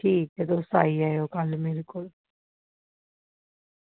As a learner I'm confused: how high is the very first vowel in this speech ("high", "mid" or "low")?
high